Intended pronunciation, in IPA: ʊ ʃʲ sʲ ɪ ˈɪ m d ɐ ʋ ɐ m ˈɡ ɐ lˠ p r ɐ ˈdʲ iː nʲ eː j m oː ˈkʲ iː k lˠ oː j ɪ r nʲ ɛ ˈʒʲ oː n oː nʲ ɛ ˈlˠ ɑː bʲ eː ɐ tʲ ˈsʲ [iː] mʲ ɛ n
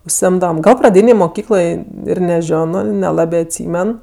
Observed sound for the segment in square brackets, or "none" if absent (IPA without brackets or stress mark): iː